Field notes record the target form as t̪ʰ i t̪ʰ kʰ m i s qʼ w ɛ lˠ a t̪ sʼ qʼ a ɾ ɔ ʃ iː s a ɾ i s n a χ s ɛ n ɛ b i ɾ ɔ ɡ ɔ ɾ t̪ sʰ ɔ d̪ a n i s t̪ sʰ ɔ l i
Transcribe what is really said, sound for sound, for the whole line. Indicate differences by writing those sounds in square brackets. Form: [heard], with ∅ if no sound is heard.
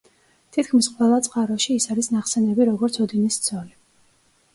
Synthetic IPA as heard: t̪ʰ i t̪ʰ kʰ m i s qʼ w ɛ lˠ a t̪ sʼ qʼ a ɾ ɔ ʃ iː s a ɾ i s n a χ s ɛ n ɛ b i ɾ ɔ ɡ ɔ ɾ t̪ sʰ ɔ d̪ [i] n i s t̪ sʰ ɔ l i